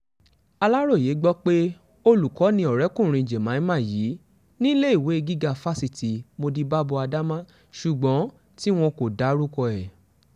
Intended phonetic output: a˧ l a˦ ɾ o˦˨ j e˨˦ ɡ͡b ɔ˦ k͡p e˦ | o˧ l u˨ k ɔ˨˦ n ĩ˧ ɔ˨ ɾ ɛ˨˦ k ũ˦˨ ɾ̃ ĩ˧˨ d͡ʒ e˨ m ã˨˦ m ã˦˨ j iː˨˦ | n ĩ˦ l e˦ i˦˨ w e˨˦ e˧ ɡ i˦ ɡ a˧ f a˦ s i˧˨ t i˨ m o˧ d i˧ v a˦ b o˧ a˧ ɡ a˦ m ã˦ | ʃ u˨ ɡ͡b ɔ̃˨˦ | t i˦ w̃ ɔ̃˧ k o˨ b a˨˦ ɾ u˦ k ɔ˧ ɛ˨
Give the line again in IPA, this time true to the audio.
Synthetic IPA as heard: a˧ l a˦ ɾ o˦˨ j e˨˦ ɡ͡b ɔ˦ k͡p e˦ | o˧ l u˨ k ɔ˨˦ n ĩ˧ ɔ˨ ɾ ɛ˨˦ k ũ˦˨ ɾ̃ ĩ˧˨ d͡ʒ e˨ m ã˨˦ m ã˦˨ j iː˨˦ | n ĩ˦ l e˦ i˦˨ w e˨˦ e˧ ɡ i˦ ɡ a˧ f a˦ s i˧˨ t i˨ m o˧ d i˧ b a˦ b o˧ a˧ d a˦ m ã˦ | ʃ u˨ ɡ͡b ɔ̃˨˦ | t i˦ w̃ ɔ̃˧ k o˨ d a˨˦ ɾ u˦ k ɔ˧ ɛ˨